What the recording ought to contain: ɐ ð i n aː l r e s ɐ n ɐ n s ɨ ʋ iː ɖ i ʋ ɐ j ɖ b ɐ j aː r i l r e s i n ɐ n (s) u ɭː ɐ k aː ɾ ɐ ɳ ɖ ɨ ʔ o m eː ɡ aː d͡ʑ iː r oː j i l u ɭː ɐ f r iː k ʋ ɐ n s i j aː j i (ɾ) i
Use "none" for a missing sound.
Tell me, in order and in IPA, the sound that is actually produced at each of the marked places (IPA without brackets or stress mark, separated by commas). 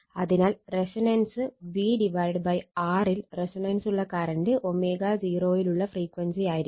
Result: s, ɾ